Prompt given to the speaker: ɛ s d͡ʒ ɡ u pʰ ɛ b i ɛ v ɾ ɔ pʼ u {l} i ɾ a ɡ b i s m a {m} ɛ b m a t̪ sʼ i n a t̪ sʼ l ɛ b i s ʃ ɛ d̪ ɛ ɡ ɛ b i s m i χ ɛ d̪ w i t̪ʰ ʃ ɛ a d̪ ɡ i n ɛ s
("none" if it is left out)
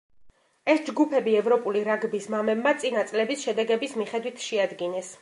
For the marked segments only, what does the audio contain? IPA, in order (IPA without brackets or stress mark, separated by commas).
l, m